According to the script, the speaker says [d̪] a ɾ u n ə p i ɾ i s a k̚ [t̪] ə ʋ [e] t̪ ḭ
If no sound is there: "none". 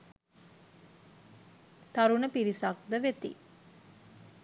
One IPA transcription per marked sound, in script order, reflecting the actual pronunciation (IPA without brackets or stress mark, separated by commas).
t̪, d̪, e